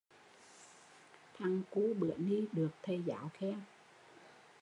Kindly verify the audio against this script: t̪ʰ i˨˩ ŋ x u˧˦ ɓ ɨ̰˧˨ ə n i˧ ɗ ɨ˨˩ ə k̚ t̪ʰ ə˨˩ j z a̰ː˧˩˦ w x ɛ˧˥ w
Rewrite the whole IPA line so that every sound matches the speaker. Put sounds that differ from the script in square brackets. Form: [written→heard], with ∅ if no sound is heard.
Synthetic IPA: t̪ʰ [i˨˩→a˨˩] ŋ [x→k] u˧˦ ɓ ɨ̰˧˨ ə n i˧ ɗ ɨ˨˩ ə k̚ t̪ʰ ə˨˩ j z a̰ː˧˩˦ w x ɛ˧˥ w